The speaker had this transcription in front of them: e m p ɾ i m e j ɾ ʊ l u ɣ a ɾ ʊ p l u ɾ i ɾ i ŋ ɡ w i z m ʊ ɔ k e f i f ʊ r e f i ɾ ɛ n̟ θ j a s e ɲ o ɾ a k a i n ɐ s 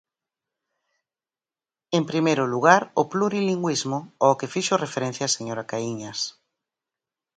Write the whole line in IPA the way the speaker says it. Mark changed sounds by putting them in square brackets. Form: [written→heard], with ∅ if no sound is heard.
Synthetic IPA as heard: e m p ɾ i m e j ɾ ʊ l u ɣ a ɾ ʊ p l u ɾ i [ɾ→l] i ŋ ɡ w i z m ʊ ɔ k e f i [f→ʃ] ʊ r e f [i→e] ɾ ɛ n̟ θ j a s e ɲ o ɾ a k a i [n→ɲ] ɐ s